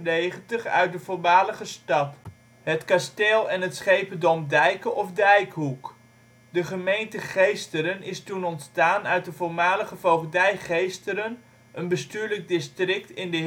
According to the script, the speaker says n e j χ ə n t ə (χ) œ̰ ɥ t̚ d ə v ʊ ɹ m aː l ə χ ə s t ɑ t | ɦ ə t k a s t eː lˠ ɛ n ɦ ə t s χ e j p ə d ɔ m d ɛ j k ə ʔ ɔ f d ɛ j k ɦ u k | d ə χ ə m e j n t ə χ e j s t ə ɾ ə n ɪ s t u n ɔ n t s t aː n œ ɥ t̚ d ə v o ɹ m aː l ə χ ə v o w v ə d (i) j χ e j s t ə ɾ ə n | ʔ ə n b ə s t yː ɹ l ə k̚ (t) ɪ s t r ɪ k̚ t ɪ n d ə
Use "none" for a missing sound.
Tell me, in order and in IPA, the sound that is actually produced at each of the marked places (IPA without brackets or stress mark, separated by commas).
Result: χ, ɛ, d